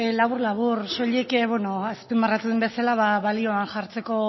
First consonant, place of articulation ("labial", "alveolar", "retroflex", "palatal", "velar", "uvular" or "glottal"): alveolar